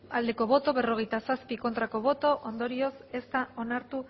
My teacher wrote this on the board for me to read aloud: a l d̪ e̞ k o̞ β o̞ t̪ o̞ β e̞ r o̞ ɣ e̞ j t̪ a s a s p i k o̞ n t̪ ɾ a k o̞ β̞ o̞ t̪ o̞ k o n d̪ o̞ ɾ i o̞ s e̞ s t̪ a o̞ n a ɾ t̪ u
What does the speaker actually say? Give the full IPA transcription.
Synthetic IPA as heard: a l d̪ e̞ k o̞ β o̞ t̪ o̞ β e̞ r o̞ ɣ e̞ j t̪ a s a s p i k o̞ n t̪ ɾ a k o̞ β̞ o̞ t̪ o̞ ʔ o n d̪ o̞ ɾ i o̞ s e̞ s t̪ a o̞ n a ɾ t̪ u